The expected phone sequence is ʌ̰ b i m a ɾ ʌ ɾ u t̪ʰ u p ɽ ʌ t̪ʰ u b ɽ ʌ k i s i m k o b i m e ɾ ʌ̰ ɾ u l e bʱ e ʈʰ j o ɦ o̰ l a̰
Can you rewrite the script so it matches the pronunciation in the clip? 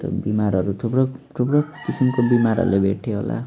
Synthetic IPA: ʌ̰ b i m a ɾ ʌ ɾ u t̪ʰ u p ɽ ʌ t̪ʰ u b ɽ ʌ k i s i m k o b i m a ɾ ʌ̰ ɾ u l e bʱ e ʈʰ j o ɦ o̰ l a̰